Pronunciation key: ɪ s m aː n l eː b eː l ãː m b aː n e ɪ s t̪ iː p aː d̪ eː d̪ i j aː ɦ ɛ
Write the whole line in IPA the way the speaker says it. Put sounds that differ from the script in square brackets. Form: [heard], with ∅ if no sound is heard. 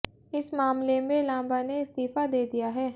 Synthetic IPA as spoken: ɪ s m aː [m] l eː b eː l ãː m b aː n e ɪ s t̪ iː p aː d̪ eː d̪ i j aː ɦ [ɛː]